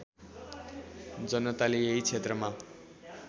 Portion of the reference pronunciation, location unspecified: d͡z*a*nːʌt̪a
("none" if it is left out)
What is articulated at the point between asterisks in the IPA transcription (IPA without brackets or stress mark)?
ʌ